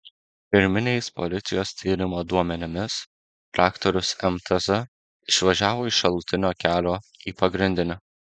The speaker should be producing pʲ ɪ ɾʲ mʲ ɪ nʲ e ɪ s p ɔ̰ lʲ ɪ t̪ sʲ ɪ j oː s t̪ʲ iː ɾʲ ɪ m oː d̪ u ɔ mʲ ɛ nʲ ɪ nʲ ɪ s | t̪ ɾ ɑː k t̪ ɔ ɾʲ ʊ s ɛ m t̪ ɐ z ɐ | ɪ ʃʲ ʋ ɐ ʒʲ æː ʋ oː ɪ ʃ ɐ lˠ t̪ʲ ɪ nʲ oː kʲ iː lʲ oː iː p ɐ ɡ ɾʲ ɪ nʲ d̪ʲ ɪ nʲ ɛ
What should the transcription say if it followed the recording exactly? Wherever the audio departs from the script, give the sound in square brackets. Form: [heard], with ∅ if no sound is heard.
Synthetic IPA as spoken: pʲ ɪ ɾʲ mʲ ɪ nʲ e ɪ s p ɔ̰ lʲ ɪ t̪ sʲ ɪ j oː s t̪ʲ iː ɾʲ ɪ m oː d̪ u ɔ mʲ ɛ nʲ ɪ [mʲ] ɪ s | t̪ ɾ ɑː k t̪ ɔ ɾʲ ʊ s ɛ m t̪ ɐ z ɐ | ɪ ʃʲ ʋ ɐ ʒʲ æː ʋ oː ɪ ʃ ɐ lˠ t̪ʲ ɪ nʲ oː kʲ [æː] lʲ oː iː p ɐ ɡ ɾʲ ɪ nʲ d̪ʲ ɪ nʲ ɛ